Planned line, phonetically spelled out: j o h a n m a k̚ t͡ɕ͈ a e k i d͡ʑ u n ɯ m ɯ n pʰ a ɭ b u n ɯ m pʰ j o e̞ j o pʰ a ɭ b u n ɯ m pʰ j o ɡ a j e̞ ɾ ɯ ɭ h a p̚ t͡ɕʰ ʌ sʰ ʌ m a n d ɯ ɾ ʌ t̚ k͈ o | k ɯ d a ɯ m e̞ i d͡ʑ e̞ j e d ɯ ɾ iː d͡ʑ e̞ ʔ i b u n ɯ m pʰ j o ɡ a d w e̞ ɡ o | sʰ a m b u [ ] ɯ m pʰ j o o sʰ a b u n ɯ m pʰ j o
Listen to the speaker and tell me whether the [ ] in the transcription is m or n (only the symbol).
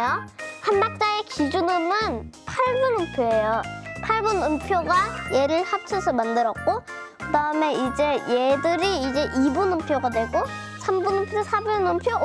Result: n